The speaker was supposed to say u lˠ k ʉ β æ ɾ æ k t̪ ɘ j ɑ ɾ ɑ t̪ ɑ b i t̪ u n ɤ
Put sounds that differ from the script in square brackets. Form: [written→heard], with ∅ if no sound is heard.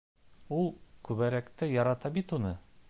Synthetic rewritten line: u lˠ k ʉ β æ ɾ æ k t̪ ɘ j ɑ ɾ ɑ t̪ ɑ b i t̪ u n ɤ